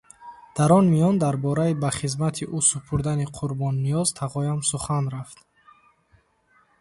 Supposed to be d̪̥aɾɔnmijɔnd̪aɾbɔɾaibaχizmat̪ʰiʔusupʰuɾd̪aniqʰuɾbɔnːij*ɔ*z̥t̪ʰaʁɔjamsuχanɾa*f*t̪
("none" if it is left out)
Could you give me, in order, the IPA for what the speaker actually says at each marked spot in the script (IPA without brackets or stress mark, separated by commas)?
ɔ, f